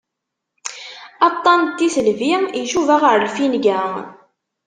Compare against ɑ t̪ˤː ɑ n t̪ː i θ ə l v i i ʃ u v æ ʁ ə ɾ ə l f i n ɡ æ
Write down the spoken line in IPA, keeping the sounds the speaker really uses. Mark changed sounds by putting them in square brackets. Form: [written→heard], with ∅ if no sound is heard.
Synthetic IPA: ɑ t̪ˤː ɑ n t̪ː i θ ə l v i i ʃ u v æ ʁ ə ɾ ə l f i n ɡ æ

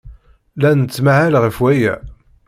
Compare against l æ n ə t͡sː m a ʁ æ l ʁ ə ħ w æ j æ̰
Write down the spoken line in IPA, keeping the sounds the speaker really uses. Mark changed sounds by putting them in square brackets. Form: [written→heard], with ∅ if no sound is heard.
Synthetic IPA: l æ n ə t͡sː m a [ʁ→ʕ] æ l ʁ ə [ħ→f] w æ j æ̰

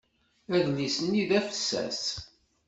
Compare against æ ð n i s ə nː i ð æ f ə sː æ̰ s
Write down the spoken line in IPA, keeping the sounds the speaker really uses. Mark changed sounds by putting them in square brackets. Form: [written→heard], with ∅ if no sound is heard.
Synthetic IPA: æ ð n i s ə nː i ð æ f ə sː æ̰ s

